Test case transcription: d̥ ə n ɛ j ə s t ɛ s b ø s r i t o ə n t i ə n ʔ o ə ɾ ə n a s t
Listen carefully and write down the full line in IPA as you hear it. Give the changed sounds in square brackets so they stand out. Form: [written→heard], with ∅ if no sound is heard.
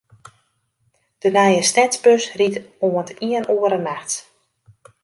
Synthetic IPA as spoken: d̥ ə n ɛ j ə s t ɛ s b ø s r i t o ə n t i ə n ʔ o ə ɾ ə n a [s→x] t